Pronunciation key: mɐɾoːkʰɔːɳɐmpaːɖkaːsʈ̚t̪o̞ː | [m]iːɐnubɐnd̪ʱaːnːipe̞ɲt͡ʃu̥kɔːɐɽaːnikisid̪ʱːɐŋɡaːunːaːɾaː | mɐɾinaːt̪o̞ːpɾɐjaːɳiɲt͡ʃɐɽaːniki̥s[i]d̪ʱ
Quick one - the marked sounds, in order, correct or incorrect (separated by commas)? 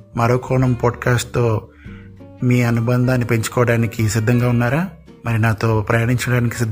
correct, correct